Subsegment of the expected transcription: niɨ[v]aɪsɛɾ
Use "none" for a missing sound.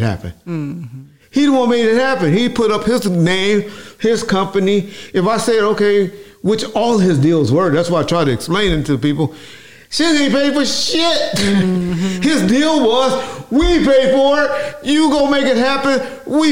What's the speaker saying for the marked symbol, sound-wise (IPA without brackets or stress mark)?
f